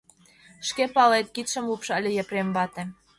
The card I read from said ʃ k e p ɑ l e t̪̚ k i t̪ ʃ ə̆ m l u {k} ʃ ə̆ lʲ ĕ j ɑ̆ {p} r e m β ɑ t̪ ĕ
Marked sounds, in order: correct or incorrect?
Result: incorrect: p, correct

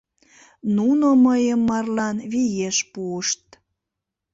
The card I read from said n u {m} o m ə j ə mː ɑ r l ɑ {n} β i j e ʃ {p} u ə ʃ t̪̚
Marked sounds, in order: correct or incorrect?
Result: incorrect: n, correct, correct

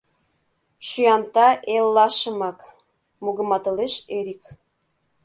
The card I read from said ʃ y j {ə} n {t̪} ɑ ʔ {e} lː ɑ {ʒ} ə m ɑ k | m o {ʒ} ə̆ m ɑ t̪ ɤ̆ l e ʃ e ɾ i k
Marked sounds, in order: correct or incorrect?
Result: incorrect: ɑ, correct, correct, incorrect: ʃ, incorrect: ɣ

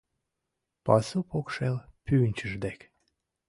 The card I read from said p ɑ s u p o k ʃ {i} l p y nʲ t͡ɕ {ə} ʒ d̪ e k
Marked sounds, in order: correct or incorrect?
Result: incorrect: e, correct

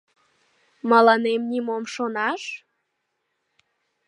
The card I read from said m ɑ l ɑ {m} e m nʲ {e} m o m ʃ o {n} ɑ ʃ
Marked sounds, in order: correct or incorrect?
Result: incorrect: n, incorrect: i, correct

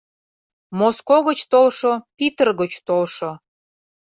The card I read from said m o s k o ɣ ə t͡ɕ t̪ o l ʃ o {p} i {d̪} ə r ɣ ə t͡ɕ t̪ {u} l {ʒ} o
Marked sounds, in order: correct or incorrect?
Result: correct, incorrect: t̪, incorrect: o, incorrect: ʃ

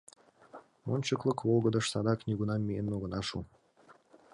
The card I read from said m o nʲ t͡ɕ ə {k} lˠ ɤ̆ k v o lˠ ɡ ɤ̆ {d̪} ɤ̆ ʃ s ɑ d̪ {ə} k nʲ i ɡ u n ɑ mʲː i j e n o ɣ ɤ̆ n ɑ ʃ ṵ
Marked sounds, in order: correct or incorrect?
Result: correct, correct, incorrect: ɑ

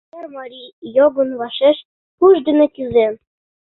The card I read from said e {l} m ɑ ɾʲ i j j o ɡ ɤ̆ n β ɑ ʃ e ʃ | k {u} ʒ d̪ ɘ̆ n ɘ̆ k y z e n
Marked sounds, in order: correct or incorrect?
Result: incorrect: r, correct

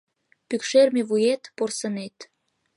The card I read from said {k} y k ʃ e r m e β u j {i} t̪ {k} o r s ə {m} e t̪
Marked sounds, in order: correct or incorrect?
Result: incorrect: p, incorrect: e, incorrect: p, incorrect: n

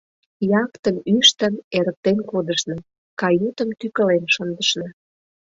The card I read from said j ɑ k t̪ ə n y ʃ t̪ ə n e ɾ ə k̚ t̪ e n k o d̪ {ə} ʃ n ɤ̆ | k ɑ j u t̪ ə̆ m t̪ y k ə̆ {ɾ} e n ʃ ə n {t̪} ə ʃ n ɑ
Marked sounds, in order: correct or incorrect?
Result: correct, incorrect: l, incorrect: d̪

